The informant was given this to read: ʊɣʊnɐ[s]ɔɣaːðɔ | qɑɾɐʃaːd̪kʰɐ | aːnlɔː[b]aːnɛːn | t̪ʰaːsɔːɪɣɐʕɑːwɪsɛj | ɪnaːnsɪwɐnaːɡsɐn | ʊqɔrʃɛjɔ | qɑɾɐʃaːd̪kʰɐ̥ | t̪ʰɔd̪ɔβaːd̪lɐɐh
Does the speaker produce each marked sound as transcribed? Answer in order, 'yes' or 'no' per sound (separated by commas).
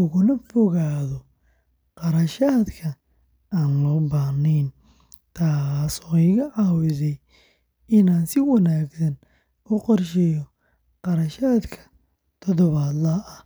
no, yes